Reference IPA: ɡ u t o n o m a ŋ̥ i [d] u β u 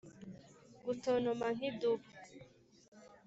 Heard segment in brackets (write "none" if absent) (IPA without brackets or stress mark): d